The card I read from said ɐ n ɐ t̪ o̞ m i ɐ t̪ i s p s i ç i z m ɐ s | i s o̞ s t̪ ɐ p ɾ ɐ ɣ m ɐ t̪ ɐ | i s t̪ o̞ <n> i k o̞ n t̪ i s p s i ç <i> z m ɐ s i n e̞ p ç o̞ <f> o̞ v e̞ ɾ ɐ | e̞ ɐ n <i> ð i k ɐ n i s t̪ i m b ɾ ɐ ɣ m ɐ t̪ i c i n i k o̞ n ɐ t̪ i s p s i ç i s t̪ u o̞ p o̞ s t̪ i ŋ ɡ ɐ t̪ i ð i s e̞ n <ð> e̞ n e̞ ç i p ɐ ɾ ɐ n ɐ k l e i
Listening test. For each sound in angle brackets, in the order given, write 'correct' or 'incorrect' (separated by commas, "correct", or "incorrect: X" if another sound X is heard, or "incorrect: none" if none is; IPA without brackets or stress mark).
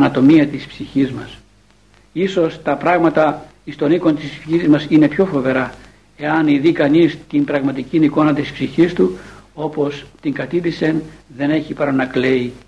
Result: correct, correct, correct, correct, correct